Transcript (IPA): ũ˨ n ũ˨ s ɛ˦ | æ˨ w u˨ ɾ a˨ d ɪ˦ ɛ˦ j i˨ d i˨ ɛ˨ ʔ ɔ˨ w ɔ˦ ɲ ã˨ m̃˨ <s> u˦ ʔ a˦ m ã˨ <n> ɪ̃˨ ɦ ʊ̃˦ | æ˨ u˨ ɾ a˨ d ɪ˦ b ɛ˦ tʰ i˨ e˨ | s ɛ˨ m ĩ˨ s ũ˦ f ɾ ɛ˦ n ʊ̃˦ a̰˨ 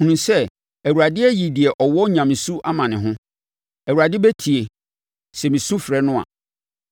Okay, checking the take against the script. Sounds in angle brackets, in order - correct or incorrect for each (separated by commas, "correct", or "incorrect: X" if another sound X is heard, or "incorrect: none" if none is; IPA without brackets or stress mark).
correct, correct